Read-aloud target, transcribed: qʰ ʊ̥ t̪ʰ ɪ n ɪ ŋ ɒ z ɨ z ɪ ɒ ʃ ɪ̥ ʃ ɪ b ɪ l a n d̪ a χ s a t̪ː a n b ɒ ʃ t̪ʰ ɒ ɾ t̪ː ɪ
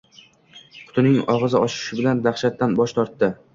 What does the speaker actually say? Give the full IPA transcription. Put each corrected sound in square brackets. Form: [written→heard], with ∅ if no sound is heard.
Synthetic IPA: qʰ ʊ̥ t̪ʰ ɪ n ɪ ŋ ɒ [z→ʁ] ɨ z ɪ ɒ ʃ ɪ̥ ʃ ɪ b ɪ l a n d̪ a χ [s→ʃ] a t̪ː a n b ɒ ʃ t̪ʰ ɒ ɾ t̪ː ɪ

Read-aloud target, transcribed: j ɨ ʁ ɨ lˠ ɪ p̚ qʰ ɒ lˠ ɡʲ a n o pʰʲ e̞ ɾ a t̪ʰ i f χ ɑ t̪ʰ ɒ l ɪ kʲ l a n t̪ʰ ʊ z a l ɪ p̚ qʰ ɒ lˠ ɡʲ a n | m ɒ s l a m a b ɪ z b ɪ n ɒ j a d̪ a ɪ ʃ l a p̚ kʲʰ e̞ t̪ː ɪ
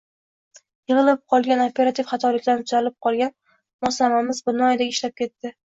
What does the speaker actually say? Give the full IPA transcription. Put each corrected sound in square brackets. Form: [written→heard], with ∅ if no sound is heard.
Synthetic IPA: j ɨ ʁ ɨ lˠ ɪ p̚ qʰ ɒ lˠ ɡʲ a n o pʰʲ e̞ ɾ a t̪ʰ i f χ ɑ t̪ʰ ɒ l ɪ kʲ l a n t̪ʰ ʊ z a l ɪ p̚ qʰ ɒ lˠ ɡʲ a n | m ɒ s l a m a [b→m] ɪ z b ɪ n ɒ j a d̪ a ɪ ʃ l a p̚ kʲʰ e̞ t̪ː ɪ

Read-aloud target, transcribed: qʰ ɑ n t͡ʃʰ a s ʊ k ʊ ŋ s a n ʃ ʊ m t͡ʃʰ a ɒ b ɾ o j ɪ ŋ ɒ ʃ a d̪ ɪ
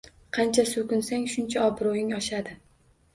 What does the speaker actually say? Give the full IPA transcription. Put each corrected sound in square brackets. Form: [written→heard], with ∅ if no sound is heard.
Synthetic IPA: qʰ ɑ n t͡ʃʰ a s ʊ k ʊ [ŋ→n] s a [n→ŋ] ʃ ʊ [m→n] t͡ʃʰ a ɒ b ɾ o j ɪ ŋ ɒ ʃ a d̪ ɪ

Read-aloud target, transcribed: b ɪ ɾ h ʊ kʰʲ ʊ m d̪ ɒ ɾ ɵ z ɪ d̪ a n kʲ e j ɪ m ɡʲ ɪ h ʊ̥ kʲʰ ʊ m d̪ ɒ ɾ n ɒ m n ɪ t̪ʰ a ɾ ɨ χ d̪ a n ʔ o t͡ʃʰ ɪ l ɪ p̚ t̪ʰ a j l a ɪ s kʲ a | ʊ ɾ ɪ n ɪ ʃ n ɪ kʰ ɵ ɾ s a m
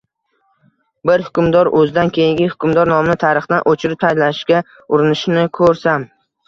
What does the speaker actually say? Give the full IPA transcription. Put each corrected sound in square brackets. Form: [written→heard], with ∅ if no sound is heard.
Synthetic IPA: b ɪ ɾ h ʊ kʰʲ ʊ m d̪ ɒ ɾ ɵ z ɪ d̪ a n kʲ e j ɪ [m→ŋ] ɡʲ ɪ h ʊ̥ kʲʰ ʊ m d̪ ɒ ɾ n ɒ m n ɪ t̪ʰ a ɾ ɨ χ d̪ a n ʔ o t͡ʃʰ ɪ [l→ɾ] ɪ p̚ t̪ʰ a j l a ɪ [s→ʃ] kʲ a | ʊ ɾ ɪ n ɪ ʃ n ɪ kʰ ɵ ɾ s a m

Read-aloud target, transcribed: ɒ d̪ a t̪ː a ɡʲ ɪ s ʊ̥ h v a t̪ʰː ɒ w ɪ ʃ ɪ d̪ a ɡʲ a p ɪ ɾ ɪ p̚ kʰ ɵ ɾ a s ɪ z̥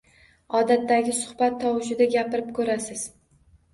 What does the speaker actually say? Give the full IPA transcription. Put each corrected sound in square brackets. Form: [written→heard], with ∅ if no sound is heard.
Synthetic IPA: ɒ d̪ a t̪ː a ɡʲ ɪ s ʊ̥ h [v→b] a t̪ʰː ɒ w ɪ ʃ ɪ d̪ a ɡʲ a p ɪ ɾ ɪ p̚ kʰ ɵ ɾ a s ɪ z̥

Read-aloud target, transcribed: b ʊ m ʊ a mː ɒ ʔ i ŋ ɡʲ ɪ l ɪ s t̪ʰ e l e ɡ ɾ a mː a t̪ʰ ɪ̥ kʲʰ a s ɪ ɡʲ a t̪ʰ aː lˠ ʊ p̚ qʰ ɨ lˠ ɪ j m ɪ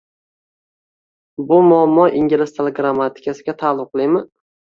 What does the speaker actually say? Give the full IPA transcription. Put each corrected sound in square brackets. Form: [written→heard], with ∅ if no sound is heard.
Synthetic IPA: b ʊ m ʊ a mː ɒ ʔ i ŋ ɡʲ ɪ l ɪ s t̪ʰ e l e ɡ ɾ a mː a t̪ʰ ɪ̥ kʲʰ a s ɪ ɡʲ a t̪ʰ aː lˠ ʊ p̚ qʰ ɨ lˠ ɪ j m ɪ

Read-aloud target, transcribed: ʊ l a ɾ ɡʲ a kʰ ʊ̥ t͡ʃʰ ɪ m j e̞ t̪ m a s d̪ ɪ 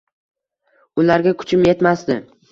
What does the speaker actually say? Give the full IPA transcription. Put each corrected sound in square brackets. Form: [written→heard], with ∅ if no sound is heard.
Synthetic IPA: ʊ l a ɾ ɡʲ a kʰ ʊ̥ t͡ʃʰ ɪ m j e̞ t̪ m a s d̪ ɪ

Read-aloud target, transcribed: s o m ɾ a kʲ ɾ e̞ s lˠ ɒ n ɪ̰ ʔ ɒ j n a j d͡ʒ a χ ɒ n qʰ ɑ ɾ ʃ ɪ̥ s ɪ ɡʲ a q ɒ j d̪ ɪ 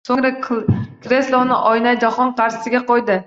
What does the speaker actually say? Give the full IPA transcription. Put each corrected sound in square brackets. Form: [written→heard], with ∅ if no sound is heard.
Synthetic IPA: s o [m→ŋ] ɾ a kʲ ɾ e̞ s lˠ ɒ n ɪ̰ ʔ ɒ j n a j d͡ʒ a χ ɒ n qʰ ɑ ɾ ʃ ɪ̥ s ɪ ɡʲ a q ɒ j d̪ ɪ

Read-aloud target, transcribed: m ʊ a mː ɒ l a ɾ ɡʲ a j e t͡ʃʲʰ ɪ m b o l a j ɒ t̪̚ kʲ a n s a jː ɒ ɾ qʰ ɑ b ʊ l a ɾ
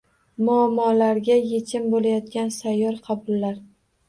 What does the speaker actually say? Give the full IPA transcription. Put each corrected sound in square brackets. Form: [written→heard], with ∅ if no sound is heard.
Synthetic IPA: m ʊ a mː ɒ l a ɾ ɡʲ a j e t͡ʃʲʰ ɪ m b o l a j ɒ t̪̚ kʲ a n s a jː ɒ ɾ qʰ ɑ b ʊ [l→lː] a ɾ

